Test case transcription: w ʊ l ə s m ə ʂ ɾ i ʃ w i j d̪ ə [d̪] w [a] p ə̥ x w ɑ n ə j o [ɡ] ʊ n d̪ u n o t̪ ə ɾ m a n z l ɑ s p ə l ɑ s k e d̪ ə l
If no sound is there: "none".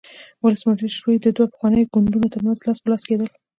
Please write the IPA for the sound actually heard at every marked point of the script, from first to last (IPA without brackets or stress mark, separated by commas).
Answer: d̪, a, ɡ